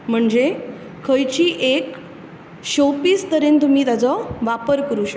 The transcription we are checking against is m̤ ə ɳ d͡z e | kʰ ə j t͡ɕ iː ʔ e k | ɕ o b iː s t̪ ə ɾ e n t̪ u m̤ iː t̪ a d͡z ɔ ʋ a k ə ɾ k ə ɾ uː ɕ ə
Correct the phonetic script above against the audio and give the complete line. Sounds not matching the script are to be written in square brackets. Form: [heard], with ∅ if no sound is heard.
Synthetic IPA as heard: m̤ ə ɳ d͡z e | kʰ ə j t͡ɕ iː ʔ e k | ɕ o [p] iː s t̪ ə ɾ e n t̪ u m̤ iː t̪ a d͡z ɔ ʋ a [p] ə ɾ k ə ɾ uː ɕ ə